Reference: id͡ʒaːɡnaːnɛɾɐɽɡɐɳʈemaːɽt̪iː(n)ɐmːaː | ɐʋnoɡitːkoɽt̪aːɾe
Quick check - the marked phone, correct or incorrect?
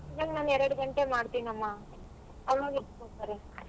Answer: correct